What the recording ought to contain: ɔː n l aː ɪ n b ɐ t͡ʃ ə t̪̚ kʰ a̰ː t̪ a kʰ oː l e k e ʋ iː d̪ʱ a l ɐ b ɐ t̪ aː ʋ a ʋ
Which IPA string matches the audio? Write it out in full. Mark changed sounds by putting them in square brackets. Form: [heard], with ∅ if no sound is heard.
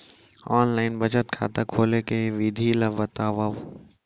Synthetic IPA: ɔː n l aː ɪ n b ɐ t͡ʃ ə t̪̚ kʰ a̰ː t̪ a kʰ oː l e k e ʋ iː d̪ʱ [i] l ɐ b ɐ t̪ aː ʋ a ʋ